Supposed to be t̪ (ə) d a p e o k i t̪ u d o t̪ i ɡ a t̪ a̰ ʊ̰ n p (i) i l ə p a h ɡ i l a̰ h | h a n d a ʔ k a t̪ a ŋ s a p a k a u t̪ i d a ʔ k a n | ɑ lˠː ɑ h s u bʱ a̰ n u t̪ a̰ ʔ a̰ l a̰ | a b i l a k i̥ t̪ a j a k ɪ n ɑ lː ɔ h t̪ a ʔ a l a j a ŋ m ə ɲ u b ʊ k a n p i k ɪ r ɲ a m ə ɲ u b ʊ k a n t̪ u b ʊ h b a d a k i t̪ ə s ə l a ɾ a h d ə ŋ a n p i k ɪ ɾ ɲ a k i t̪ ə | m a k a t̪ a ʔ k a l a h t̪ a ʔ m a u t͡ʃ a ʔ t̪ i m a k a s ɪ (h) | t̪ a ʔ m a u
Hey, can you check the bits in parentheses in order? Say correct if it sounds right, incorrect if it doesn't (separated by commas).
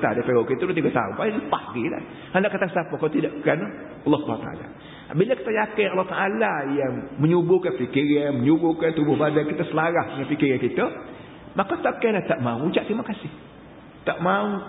incorrect, incorrect, correct